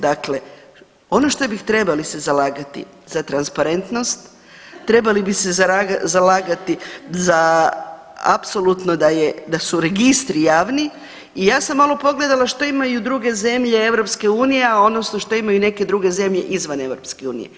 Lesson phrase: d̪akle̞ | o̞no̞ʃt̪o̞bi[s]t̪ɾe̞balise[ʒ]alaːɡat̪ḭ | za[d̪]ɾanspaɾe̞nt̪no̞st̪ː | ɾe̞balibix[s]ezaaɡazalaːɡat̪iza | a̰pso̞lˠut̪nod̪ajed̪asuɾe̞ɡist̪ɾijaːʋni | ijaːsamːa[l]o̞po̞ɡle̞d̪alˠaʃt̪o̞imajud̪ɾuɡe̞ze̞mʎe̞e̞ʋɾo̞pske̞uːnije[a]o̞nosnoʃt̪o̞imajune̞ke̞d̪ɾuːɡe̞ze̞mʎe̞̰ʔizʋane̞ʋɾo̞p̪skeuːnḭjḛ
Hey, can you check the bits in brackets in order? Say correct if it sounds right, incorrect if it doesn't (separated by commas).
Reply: incorrect, incorrect, incorrect, correct, correct, correct